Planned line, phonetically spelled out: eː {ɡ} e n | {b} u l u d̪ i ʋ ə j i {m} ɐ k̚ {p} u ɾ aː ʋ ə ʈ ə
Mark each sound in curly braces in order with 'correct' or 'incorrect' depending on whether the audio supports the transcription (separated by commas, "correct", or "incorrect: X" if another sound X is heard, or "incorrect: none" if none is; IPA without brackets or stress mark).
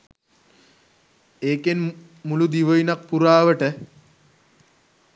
incorrect: k, incorrect: m, incorrect: n, correct